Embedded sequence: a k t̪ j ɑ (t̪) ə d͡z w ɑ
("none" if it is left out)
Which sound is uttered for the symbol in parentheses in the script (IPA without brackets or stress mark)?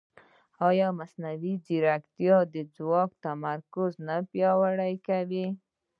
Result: d̪